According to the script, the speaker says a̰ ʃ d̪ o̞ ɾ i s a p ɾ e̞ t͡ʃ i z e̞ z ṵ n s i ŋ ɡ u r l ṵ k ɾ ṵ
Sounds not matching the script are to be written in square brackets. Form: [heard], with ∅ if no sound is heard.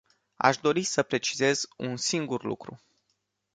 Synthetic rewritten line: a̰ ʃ d̪ o̞ ɾ i s [ə] p ɾ e̞ t͡ʃ i z e̞ z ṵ n s i ŋ ɡ u r l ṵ k ɾ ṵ

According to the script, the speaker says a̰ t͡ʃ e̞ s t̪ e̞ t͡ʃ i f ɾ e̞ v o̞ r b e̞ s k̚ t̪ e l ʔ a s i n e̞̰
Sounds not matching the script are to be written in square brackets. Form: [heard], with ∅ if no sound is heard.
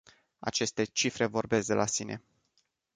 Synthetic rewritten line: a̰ t͡ʃ e̞ s t̪ e̞ t͡ʃ i f ɾ e̞ v o̞ r b e̞ s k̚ [d̪] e l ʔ a s i n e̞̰

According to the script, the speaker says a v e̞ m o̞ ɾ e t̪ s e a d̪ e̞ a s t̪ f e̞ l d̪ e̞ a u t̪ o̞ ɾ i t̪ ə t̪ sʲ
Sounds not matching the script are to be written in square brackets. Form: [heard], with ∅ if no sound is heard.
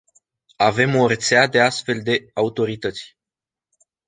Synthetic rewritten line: a v e̞ m o̞ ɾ e t̪ s e a d̪ e̞ a s t̪ f e̞ l d̪ e̞ a u t̪ o̞ ɾ i t̪ ə t̪ sʲ

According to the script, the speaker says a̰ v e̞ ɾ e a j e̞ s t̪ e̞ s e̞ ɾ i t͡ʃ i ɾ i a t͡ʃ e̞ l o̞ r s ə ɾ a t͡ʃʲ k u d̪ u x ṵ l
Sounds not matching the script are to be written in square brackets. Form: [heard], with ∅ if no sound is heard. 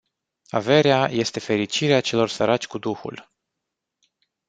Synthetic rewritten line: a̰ v e̞ ɾ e a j e̞ s t̪ e̞ [f] e̞ ɾ i t͡ʃ i ɾ [e] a t͡ʃ e̞ l o̞ r s ə ɾ a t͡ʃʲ k u d̪ u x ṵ l

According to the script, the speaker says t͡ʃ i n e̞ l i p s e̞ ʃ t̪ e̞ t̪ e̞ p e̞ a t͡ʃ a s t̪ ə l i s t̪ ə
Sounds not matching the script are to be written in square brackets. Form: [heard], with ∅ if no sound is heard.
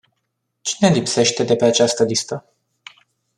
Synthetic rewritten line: t͡ʃ i n e̞ l i p s e̞ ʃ t̪ e̞ [d̪] e̞ p e̞ a t͡ʃ a s t̪ ə l i s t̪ ə

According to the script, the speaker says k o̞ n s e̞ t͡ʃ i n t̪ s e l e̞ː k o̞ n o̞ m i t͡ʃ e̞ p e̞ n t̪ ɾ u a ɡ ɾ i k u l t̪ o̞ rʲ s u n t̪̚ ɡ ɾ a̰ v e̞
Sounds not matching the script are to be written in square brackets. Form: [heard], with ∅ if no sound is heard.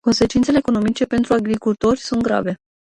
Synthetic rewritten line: k o̞ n s e̞ t͡ʃ i n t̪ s e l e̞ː k o̞ n o̞ m i t͡ʃ e̞ p e̞ n t̪ ɾ u a ɡ ɾ i k u l t̪ o̞ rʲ s u n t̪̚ ɡ ɾ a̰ v e̞

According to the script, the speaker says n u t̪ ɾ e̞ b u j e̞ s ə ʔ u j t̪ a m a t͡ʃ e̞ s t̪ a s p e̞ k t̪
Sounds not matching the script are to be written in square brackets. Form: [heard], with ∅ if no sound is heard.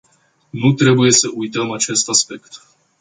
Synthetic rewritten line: n u t̪ ɾ e̞ b u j e̞ s ə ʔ u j t̪ [ə] m a t͡ʃ e̞ s t̪ a s p e̞ k t̪

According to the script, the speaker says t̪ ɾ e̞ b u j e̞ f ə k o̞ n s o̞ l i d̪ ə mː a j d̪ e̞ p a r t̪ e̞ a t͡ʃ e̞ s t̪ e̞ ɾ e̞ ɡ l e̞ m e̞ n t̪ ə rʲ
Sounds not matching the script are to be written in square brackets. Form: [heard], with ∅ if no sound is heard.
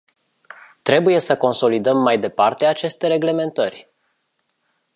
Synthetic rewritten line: t̪ ɾ e̞ b u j e̞ [s] ə k o̞ n s o̞ l i d̪ ə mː a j d̪ e̞ p a r t̪ e̞ a t͡ʃ e̞ s t̪ e̞ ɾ e̞ ɡ l e̞ m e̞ n t̪ ə rʲ

